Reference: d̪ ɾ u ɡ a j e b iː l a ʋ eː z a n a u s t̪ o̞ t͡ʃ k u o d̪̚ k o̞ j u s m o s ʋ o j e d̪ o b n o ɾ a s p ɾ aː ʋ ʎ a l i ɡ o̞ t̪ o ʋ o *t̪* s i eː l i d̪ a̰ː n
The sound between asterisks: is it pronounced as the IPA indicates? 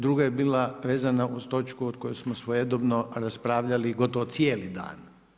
yes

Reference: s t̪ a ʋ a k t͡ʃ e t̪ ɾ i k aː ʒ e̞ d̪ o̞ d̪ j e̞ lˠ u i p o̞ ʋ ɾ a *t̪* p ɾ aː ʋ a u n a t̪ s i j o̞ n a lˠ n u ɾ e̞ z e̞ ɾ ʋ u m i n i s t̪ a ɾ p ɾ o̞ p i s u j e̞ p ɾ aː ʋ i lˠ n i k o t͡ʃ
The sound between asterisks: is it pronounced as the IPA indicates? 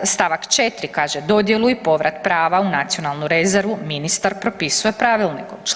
yes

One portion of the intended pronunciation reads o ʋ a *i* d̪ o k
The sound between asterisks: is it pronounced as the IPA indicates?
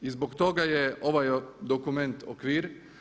no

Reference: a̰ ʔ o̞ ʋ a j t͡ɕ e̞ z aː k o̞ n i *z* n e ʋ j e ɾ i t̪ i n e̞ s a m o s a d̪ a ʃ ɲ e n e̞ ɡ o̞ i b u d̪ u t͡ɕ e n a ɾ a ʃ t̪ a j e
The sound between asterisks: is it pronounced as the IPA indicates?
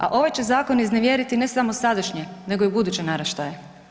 yes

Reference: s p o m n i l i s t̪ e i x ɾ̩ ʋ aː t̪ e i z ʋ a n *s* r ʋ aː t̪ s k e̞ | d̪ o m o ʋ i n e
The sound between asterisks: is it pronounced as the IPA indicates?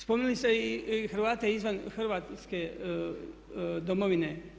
no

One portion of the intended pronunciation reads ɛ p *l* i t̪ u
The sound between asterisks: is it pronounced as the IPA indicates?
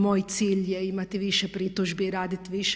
no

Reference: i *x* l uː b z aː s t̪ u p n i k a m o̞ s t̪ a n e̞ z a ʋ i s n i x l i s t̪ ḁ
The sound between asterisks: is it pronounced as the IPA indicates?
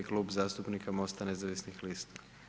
no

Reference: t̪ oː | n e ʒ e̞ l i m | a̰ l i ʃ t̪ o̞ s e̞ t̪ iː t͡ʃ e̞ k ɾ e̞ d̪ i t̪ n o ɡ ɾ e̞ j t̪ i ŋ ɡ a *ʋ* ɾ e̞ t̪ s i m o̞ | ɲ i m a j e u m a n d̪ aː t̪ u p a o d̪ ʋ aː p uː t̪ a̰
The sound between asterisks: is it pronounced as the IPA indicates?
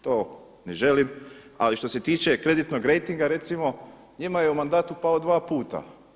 no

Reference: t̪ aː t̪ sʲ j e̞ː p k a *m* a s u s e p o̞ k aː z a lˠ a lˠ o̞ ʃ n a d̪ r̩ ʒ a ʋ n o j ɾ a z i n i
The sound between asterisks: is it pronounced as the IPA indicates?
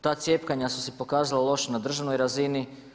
no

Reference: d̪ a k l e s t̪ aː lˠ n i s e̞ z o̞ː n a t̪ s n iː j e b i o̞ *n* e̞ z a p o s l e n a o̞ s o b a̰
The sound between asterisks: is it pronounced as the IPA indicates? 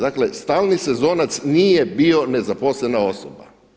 yes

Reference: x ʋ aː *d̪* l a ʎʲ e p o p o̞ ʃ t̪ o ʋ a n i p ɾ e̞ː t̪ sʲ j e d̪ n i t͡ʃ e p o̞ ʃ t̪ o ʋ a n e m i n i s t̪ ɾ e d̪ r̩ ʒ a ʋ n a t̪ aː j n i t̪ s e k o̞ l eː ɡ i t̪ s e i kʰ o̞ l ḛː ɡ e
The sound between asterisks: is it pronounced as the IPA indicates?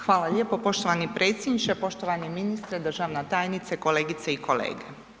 no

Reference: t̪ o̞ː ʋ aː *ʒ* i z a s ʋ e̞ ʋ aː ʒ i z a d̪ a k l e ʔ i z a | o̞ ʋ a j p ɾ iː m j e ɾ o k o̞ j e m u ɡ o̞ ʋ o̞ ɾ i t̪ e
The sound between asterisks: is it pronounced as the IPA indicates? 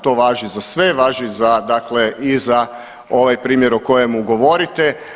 yes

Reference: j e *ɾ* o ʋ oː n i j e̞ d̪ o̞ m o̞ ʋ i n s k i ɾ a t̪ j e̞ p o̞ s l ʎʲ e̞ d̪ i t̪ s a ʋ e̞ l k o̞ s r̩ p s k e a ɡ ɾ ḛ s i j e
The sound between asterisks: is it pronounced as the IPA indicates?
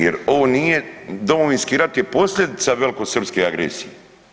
yes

